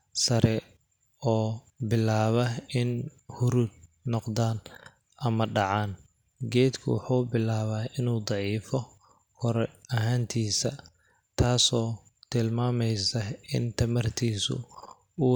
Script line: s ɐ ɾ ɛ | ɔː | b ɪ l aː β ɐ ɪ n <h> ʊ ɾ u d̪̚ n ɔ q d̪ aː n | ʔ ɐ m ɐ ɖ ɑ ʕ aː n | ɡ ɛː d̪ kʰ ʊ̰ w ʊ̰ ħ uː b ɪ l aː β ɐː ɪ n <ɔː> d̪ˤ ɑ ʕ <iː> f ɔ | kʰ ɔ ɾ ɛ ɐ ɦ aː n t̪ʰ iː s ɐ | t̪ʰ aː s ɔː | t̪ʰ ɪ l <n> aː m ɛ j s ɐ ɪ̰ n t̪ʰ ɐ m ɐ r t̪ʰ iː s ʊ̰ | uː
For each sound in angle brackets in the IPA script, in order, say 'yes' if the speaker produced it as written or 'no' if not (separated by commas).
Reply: yes, no, yes, no